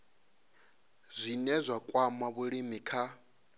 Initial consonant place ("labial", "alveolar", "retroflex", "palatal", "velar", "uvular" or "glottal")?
alveolar